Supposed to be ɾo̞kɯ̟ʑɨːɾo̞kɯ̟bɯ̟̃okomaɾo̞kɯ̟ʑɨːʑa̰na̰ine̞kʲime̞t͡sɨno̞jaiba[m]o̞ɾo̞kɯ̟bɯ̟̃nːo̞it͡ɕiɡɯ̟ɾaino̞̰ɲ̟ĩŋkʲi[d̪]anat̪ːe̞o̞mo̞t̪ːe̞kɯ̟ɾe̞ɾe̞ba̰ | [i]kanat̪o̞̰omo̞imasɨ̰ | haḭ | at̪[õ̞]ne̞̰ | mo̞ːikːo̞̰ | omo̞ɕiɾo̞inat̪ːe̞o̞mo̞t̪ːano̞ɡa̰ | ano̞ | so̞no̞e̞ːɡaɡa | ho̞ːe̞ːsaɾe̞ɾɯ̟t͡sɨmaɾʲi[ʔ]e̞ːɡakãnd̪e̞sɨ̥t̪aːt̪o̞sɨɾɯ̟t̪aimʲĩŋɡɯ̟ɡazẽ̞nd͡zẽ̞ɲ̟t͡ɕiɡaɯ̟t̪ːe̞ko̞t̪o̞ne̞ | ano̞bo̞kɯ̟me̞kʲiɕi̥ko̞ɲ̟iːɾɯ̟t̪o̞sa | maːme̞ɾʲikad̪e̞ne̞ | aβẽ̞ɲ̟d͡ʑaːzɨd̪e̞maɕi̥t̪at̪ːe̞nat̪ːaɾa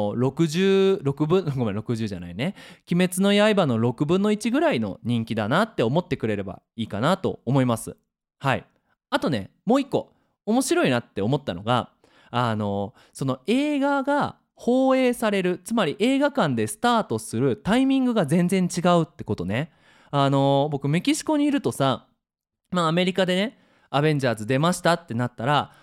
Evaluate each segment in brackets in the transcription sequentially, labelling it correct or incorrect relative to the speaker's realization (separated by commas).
incorrect, correct, incorrect, incorrect, correct